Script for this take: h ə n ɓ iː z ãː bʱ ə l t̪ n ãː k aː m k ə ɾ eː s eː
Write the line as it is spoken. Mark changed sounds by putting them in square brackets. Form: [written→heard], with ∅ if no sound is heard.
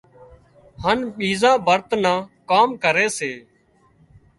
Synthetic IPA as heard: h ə n ɓ iː z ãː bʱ ə [l→ɾ] t̪ n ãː k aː m k ə ɾ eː s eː